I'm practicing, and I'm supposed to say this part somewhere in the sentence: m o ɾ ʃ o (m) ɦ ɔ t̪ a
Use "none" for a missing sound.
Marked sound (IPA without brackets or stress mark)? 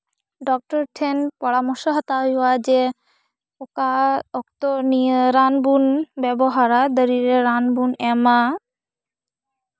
none